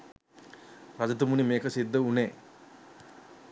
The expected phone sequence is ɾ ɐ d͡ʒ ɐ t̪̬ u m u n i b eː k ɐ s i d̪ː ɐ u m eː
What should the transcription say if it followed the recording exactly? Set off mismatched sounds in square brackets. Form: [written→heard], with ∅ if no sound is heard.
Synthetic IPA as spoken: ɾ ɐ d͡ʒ ɐ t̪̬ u m u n i [b→m] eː k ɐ s i d̪ː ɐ u [m→n] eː